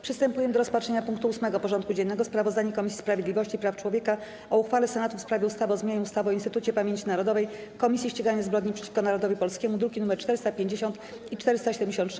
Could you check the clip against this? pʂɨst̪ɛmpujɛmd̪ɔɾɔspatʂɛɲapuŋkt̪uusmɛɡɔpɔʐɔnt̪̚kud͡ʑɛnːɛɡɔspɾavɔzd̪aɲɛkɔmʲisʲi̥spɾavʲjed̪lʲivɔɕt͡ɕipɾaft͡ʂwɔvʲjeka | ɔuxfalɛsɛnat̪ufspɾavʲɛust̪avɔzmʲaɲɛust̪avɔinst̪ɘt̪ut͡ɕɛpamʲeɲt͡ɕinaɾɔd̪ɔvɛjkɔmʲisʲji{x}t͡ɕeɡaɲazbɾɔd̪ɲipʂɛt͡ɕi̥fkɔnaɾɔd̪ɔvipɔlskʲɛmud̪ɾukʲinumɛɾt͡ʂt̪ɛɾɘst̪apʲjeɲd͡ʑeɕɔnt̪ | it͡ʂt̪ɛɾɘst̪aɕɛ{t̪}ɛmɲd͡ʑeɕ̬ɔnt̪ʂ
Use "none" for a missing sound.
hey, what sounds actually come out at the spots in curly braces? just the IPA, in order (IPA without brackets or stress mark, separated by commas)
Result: ɕ, d̪